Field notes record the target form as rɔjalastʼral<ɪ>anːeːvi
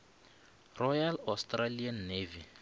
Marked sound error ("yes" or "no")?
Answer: yes